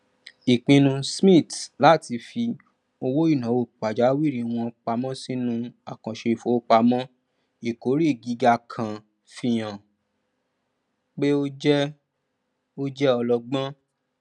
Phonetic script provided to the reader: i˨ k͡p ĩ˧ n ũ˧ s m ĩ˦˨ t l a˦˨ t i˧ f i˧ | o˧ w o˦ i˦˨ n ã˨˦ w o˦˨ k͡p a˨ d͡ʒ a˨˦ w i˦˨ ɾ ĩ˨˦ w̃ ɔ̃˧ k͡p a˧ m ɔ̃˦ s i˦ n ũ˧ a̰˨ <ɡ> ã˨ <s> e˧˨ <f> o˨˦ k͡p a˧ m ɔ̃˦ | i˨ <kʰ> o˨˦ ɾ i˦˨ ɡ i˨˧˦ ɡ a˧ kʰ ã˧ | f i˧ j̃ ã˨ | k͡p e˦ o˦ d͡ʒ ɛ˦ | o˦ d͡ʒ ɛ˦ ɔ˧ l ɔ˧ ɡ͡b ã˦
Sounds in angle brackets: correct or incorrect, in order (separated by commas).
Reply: incorrect, incorrect, correct, incorrect